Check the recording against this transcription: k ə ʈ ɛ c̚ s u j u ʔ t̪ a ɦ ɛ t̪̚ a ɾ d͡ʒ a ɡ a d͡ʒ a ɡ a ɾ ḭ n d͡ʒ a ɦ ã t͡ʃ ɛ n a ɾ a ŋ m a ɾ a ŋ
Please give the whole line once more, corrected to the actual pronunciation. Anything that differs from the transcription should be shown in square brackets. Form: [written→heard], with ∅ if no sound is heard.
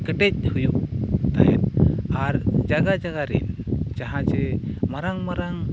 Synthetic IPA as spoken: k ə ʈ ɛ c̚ [s→h] u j u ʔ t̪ a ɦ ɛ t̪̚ a ɾ d͡ʒ a ɡ a d͡ʒ a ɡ a ɾ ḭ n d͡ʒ a ɦ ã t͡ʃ ɛ [n→m] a ɾ a ŋ m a ɾ a ŋ